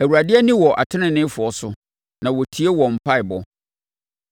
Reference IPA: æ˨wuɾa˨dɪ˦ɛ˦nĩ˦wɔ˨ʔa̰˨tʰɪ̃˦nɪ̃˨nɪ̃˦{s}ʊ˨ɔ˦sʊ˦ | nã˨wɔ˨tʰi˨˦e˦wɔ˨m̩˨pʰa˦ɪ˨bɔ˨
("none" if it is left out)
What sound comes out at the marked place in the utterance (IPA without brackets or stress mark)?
f